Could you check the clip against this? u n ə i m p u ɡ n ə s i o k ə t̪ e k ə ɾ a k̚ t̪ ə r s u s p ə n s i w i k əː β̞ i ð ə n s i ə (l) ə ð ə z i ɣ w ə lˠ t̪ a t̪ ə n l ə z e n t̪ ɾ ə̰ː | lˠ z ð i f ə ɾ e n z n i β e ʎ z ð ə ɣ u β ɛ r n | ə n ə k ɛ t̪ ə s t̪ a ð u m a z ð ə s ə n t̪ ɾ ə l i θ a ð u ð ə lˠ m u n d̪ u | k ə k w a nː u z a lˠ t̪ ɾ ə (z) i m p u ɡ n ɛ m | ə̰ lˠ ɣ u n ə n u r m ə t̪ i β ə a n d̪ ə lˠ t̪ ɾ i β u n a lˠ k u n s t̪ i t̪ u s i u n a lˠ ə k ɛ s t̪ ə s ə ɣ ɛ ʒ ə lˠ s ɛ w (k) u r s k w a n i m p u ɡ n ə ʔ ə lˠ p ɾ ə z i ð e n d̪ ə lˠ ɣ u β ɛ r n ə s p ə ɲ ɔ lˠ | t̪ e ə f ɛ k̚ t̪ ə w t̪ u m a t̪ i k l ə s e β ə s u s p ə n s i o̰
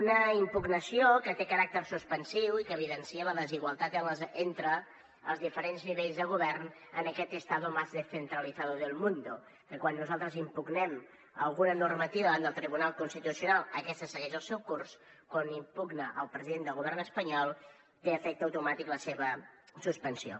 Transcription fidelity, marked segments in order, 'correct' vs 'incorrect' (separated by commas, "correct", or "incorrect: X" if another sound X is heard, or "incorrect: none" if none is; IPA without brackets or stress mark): correct, correct, correct